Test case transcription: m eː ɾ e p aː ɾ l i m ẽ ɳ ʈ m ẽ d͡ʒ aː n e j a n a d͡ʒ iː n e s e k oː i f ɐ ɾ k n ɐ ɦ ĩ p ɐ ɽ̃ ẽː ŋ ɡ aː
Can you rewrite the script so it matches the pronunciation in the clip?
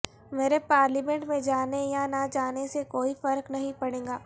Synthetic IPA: m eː ɾ e p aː ɾ l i m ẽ ɳ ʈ m ẽ d͡ʒ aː n e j a n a d͡ʒ aː n e s e k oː i f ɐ ɾ k n ɐ ɦ ĩ p ɐ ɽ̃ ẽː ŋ ɡ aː